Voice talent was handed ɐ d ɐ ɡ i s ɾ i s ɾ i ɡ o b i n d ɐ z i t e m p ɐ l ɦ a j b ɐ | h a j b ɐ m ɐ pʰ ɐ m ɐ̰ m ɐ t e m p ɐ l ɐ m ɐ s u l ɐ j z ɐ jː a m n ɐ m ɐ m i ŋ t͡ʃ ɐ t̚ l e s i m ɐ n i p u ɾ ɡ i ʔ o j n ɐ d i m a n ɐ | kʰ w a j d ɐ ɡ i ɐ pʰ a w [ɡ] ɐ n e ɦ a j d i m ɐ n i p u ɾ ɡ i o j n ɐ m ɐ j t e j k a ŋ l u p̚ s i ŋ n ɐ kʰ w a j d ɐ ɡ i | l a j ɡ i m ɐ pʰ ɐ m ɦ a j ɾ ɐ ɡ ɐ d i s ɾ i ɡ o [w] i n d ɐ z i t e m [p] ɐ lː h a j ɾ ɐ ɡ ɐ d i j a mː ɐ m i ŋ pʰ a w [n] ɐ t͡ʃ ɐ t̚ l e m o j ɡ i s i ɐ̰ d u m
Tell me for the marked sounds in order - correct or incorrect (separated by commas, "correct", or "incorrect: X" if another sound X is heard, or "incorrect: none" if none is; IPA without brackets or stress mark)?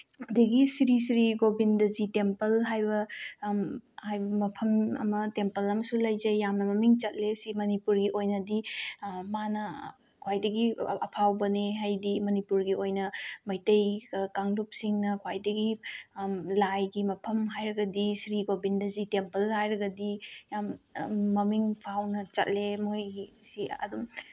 incorrect: b, incorrect: b, correct, correct